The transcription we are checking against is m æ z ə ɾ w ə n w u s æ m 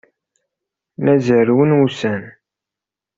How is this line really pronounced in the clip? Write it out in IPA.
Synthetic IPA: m æ z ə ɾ w ə n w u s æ n